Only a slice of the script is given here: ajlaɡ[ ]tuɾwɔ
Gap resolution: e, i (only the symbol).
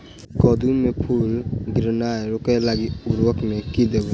i